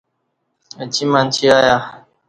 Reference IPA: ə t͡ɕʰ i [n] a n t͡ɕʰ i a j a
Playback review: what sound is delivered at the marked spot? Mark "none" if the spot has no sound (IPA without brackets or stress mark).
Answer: m